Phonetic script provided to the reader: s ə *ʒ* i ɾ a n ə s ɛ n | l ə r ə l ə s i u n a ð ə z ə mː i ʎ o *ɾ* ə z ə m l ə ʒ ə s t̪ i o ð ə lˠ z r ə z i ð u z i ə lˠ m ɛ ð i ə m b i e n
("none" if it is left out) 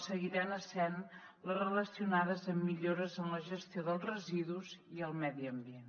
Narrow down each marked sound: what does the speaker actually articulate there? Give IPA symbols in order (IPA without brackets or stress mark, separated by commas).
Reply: ɣ, ɾ